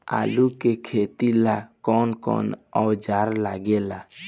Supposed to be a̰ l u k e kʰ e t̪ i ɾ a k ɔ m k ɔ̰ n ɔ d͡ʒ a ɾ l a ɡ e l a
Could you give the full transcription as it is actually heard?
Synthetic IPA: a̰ l u k e kʰ e t̪ i l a k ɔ n k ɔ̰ n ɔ d͡ʒ a ɾ l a ɡ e l a